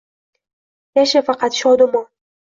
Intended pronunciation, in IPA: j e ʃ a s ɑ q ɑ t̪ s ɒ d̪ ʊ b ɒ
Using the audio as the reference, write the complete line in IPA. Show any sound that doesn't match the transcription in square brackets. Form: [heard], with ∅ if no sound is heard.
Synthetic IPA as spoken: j [a] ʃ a [f] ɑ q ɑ t̪ [ʃ] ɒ d̪ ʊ [m] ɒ